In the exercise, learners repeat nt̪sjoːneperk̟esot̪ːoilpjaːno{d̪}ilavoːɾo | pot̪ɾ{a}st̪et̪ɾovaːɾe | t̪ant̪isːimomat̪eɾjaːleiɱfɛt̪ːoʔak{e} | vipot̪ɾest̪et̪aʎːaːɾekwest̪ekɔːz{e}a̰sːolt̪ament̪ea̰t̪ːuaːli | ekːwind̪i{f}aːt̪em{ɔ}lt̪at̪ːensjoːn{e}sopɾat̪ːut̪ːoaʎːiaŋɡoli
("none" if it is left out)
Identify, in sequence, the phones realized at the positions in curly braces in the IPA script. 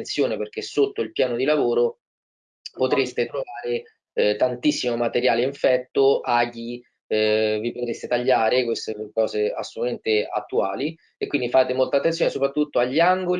d̪, e, i, e, f, o, e

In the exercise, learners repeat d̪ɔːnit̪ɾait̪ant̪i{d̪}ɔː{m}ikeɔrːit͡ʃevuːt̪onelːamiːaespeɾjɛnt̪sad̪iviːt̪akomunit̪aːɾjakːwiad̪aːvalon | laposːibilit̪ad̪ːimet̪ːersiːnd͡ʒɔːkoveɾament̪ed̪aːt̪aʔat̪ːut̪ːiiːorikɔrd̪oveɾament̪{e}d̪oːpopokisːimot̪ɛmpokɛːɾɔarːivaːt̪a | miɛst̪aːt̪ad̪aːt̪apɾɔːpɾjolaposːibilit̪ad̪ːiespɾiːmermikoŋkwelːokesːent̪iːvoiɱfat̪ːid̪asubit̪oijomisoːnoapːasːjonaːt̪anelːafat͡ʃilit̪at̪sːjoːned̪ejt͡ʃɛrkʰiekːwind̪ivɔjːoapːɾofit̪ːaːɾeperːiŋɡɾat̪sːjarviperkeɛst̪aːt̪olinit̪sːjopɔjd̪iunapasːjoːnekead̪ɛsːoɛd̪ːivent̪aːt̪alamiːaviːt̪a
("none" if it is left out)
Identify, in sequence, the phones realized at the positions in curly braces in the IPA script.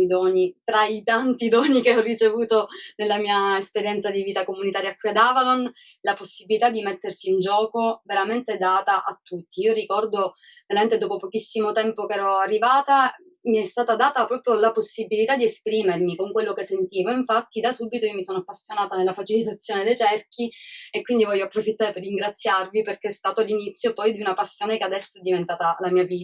d̪, n, e

